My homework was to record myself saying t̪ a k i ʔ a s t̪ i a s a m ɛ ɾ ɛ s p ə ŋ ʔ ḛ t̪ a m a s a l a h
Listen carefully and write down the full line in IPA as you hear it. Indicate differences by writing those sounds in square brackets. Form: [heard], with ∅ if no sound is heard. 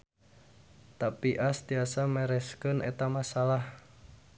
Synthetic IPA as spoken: t̪ a [p] i ʔ a s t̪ i a s a m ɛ ɾ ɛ s [k] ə [n] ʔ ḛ t̪ a m a s a l a h